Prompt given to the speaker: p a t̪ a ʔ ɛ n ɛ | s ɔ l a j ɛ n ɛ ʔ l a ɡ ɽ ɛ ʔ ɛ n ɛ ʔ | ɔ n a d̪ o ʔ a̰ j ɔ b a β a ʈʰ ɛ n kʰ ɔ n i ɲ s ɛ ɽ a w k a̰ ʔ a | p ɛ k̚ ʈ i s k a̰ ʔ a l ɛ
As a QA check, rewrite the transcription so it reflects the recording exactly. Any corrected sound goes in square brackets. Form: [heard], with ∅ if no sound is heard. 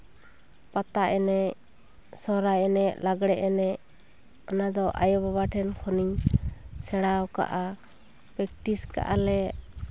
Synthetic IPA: p a t̪ a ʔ ɛ n ɛ | s ɔ [ɾ] a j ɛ n ɛ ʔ l a ɡ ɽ ɛ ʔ ɛ n ɛ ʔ | ɔ n a d̪ [ɔ] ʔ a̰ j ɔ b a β a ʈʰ ɛ n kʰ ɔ n i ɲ s ɛ ɽ a w k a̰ ʔ a | p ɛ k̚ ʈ i s k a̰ ʔ a l ɛ